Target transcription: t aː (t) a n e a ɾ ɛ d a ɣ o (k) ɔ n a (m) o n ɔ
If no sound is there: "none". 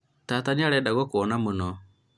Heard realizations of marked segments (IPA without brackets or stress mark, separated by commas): t, k, m